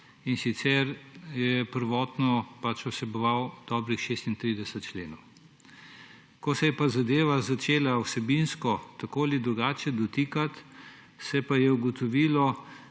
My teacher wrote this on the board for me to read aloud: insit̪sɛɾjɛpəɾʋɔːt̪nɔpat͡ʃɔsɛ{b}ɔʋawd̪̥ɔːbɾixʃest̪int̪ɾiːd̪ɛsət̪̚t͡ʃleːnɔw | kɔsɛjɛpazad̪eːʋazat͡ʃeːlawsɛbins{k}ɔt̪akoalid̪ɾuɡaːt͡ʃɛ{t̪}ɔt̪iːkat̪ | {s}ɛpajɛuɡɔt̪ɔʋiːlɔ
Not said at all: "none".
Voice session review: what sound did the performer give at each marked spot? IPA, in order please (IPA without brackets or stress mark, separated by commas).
b, k, d̪, s